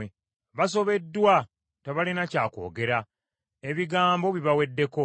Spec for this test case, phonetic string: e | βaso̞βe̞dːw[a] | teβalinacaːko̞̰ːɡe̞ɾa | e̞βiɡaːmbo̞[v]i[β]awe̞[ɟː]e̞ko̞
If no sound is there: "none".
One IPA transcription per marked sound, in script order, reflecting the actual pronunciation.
a, β, β, dː

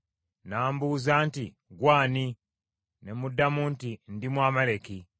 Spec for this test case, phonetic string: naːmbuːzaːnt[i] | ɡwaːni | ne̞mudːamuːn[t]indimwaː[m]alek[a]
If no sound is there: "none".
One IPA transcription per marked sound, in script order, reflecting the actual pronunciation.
i, t, m, i

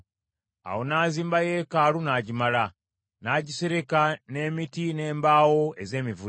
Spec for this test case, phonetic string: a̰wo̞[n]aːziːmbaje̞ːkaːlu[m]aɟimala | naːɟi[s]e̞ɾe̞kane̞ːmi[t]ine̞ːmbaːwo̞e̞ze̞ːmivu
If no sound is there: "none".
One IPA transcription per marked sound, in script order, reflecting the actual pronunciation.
n, n, s, t

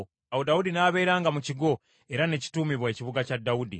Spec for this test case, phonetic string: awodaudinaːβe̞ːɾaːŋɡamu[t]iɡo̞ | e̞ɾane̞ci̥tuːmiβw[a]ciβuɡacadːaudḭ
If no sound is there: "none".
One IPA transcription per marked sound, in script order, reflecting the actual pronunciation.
c, e

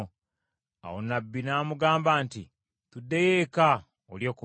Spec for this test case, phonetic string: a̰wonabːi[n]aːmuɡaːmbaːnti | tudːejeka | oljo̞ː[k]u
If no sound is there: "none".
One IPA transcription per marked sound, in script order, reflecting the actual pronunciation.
n, k

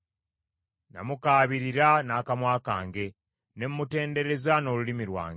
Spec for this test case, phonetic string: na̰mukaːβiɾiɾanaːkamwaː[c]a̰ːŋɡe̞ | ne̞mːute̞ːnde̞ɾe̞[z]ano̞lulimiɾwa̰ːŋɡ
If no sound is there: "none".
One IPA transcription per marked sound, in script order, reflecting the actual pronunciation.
k, z

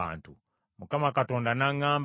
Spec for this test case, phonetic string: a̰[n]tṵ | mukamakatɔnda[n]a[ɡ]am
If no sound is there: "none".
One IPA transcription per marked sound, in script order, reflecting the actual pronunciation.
n, n, ŋ

